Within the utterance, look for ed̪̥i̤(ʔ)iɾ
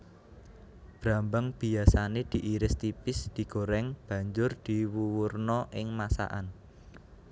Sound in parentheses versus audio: correct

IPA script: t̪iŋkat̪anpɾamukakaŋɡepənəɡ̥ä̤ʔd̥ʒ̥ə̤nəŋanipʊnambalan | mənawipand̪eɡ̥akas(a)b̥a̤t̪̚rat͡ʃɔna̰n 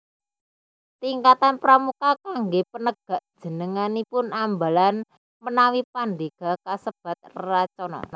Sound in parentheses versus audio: incorrect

